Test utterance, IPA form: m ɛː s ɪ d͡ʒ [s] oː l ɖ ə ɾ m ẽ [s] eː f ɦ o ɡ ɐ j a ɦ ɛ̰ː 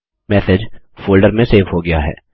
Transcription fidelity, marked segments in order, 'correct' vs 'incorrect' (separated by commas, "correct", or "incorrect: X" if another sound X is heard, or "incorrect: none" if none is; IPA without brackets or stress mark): incorrect: f, correct